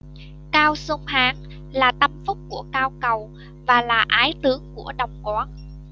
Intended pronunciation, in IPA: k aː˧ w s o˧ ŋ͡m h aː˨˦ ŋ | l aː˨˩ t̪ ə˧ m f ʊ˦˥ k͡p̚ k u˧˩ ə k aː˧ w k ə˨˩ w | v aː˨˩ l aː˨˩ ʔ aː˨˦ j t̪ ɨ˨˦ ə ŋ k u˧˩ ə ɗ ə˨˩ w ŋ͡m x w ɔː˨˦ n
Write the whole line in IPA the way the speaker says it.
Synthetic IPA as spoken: k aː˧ w s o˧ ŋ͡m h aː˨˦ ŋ | l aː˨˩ t̪ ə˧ m f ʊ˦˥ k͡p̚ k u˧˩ ə k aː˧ w k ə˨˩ w | v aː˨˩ l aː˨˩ ʔ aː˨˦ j t̪ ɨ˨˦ ə ŋ k u˧˩ ə ɗ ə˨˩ w ŋ͡m k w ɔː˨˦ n